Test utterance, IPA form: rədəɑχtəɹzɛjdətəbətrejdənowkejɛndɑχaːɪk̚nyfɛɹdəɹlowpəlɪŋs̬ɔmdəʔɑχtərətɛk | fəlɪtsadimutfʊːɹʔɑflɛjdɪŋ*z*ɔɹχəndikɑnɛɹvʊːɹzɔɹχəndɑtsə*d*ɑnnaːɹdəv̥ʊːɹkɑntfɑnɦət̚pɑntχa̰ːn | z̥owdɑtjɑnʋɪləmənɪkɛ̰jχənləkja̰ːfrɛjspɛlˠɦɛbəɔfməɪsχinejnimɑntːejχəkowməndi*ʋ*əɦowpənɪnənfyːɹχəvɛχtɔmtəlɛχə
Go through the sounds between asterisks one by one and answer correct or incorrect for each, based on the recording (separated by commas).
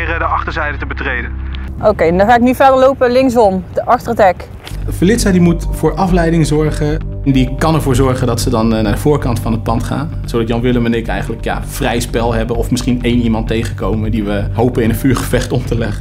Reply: correct, correct, correct